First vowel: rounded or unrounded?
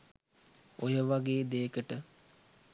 rounded